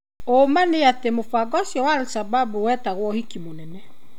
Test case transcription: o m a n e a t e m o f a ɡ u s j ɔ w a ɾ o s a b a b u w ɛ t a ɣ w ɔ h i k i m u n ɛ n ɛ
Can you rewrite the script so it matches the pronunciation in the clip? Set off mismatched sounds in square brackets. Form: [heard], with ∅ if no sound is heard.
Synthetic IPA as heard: o m a n e a t e m o f a ɡ [ɔ] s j ɔ w a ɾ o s a b a b u w ɛ t a ɣ w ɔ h i k i m [o] n ɛ n ɛ